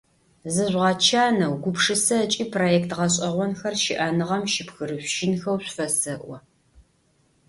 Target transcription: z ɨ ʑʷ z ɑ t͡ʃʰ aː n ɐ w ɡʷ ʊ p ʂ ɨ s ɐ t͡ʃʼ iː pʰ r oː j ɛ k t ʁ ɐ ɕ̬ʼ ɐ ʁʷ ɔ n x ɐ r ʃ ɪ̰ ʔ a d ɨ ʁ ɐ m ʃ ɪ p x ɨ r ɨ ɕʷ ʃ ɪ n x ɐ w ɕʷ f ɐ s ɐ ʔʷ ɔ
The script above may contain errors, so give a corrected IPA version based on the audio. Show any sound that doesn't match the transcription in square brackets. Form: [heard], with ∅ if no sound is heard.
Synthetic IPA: z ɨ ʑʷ [ʁ] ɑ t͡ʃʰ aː n ɐ w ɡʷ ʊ p ʂ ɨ s ɐ t͡ʃʼ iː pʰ r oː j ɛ k t ʁ ɐ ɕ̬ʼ ɐ ʁʷ ɔ n x ɐ r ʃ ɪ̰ ʔ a [n] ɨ ʁ ɐ m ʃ ɪ p x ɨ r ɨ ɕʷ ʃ ɪ n x ɐ w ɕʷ f ɐ s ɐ ʔʷ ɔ

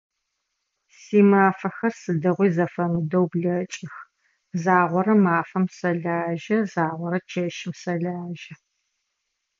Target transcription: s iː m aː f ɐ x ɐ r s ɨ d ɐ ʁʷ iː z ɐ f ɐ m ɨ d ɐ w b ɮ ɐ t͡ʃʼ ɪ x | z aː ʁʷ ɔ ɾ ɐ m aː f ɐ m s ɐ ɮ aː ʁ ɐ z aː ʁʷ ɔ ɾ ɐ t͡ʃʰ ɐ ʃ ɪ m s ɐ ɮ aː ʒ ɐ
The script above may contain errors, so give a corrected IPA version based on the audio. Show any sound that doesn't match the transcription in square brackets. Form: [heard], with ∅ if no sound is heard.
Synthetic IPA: s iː m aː f ɐ x ɐ r s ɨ d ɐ ʁʷ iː z ɐ f ɐ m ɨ d ɐ w b ɮ ɐ t͡ʃʼ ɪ x | z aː ʁʷ ɔ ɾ ɐ m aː f ɐ m s ɐ ɮ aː [ʒ] ɐ z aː ʁʷ ɔ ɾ ɐ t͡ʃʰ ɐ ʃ ɪ m s ɐ ɮ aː ʒ ɐ

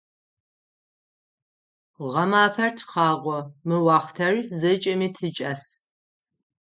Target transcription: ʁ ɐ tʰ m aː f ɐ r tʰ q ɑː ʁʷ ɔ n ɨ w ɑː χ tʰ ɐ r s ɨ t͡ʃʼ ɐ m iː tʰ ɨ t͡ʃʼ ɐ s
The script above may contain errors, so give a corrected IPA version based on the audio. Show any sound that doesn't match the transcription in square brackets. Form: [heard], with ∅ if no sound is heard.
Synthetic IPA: ʁ ɐ [∅] m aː f ɐ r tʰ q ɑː ʁʷ ɔ [m] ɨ w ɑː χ tʰ ɐ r [z] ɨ t͡ʃʼ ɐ m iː tʰ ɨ t͡ʃʼ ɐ s

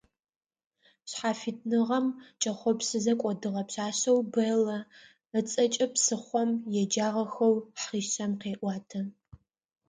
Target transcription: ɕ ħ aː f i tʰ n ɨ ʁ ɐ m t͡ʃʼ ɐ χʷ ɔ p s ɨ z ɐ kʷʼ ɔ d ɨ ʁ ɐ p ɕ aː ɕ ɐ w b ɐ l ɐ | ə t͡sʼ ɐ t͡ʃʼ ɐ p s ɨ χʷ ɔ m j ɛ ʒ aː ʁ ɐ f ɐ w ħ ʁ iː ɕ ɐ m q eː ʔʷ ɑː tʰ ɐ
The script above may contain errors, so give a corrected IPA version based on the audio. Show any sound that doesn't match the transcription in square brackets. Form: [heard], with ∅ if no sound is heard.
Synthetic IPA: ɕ ħ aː f i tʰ n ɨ ʁ ɐ m t͡ʃʼ ɐ χʷ ɔ p s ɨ z ɐ kʷʼ ɔ d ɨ ʁ ɐ p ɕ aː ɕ ɐ w b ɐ l ɐ | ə t͡sʼ ɐ t͡ʃʼ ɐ p s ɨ χʷ ɔ m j ɛ [d͡ʒ] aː ʁ ɐ [x] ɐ w ħ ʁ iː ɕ ɐ m q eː ʔʷ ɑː tʰ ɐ

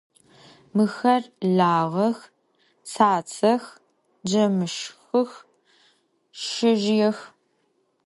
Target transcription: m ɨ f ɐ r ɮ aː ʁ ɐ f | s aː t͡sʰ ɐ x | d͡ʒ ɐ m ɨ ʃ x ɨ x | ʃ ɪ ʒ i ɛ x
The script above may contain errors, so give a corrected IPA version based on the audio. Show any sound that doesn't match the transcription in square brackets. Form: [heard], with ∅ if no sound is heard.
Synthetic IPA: m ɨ [x] ɐ r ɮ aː ʁ ɐ [x] | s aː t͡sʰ ɐ x | d͡ʒ ɐ m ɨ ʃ x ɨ x | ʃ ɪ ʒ [j] ɛ x

